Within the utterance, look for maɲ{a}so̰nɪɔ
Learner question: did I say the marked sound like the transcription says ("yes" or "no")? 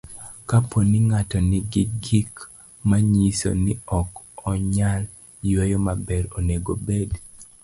no